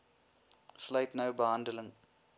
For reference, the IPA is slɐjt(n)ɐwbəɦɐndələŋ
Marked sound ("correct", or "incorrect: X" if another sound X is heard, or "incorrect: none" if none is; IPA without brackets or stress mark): correct